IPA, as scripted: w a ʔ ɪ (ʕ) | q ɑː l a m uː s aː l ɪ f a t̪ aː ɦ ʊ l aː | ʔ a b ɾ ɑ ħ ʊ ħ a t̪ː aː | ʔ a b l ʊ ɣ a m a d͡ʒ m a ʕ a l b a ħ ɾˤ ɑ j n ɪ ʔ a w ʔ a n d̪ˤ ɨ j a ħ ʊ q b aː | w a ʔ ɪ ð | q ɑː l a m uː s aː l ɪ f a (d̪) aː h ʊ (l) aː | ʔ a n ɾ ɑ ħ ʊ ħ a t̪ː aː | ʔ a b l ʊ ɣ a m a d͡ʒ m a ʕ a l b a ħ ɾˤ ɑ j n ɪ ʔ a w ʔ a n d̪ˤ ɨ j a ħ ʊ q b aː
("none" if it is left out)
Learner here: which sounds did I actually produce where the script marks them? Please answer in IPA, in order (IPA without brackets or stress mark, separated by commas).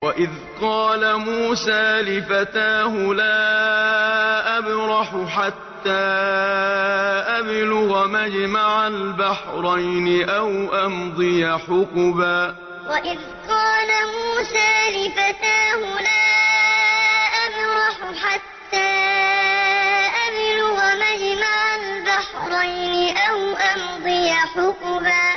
ð, t̪, l